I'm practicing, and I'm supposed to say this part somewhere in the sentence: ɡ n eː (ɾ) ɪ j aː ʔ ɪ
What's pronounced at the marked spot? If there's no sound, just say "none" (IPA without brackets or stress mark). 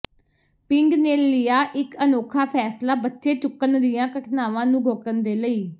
l